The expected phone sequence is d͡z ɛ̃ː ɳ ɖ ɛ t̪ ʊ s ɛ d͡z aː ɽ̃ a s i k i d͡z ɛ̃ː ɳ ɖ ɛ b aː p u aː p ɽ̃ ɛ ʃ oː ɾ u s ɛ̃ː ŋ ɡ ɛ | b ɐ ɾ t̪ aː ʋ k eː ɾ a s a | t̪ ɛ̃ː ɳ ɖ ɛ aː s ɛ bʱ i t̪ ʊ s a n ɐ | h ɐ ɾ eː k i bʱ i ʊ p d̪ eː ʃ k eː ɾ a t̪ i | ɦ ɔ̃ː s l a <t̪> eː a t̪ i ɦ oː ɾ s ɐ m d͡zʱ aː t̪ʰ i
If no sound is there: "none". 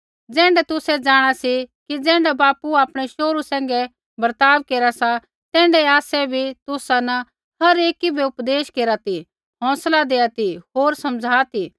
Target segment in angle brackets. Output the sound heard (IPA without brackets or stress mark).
d̪